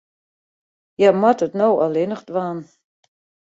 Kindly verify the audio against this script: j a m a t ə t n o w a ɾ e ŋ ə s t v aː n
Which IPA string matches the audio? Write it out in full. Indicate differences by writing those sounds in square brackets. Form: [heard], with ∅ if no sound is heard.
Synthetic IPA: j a m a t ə t n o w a [l] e [n] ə [χ] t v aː n